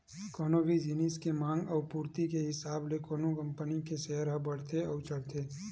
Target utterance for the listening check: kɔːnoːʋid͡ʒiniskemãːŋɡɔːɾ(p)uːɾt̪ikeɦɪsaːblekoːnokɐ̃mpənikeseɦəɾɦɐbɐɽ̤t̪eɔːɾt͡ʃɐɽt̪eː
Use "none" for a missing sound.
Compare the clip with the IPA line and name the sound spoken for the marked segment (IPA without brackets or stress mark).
p